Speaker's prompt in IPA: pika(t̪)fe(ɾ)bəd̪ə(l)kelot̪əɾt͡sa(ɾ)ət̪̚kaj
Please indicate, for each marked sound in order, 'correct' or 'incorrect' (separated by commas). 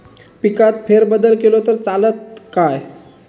correct, correct, correct, incorrect